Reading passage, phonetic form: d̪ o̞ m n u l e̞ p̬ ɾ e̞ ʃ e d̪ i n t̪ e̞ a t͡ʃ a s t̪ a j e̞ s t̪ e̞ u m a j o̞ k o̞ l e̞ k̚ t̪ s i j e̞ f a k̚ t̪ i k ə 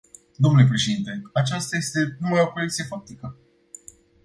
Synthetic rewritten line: d̪ o̞ m n u l e̞ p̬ ɾ e̞ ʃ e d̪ i n t̪ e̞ a t͡ʃ a s t̪ a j e̞ s t̪ e̞ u m a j o̞ k o̞ l e̞ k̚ t̪ s i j e̞ f a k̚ t̪ i k ə

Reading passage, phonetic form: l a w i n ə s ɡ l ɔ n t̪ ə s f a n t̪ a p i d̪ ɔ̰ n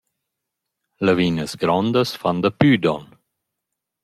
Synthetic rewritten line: l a v i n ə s ɡ ɾ ɔ n d̪ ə s f a n d̪ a p y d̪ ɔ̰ n

